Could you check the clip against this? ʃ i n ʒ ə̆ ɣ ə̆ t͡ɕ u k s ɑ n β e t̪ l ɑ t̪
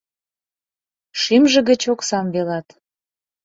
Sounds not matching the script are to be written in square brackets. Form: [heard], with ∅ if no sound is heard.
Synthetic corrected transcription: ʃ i [m] ʒ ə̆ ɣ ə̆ t͡ɕ [o] k s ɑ [m] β e [∅] l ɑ t̪